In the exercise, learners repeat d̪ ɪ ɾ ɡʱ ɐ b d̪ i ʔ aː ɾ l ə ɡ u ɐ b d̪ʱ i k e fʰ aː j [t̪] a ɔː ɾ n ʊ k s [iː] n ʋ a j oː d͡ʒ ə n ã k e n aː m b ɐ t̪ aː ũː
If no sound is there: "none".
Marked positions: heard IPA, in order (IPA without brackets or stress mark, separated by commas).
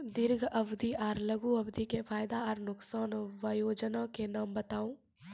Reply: d̪, aː